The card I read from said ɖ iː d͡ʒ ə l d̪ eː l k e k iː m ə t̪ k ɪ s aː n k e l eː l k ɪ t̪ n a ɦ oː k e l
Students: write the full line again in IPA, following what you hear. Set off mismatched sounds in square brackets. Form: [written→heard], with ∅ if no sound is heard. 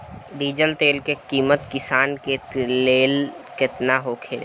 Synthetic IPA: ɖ iː d͡ʒ ə l [d̪→t̪] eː l k e k iː m ə t̪ k ɪ s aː n k e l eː l k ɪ t̪ n a ɦ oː [k→kʰ] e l